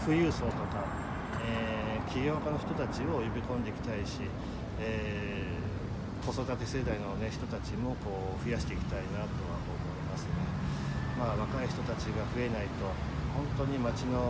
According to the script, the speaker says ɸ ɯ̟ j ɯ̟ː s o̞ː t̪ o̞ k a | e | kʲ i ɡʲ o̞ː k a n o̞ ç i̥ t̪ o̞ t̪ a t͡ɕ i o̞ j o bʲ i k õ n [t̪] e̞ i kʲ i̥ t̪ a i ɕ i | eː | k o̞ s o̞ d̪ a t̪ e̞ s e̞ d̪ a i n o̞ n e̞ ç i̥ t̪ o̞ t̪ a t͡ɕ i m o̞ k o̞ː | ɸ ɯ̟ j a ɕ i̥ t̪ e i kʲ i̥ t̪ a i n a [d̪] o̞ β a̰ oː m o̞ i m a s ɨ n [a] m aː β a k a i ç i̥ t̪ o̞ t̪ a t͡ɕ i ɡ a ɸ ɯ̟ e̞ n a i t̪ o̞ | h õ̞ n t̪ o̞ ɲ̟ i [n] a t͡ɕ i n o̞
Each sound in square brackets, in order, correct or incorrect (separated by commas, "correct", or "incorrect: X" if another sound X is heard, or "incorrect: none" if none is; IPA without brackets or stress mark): incorrect: d̪, incorrect: t̪, incorrect: e, incorrect: m